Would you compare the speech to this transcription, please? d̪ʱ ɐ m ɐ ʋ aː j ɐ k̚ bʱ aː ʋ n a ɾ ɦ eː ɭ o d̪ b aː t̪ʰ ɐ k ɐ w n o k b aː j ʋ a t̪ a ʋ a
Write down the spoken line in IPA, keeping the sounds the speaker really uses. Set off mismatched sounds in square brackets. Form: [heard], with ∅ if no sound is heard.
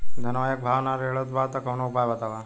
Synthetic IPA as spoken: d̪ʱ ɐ [n] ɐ ʋ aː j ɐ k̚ bʱ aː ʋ n a ɾ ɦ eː ɭ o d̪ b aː [t̪] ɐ k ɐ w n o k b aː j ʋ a t̪ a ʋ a